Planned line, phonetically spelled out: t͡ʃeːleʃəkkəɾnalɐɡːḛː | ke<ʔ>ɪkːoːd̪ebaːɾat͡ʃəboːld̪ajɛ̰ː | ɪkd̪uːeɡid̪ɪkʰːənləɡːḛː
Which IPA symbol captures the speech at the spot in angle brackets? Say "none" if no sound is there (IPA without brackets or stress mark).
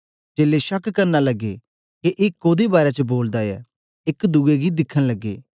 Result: ʔ